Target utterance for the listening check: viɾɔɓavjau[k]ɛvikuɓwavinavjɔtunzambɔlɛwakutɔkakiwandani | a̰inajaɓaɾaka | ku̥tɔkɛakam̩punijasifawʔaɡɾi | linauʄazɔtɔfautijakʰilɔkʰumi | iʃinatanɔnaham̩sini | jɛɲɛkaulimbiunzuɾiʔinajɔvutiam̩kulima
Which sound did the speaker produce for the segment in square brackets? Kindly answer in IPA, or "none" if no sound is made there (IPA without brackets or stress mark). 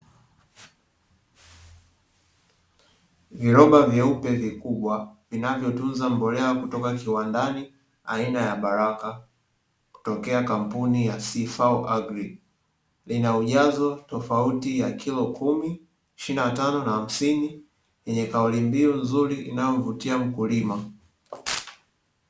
p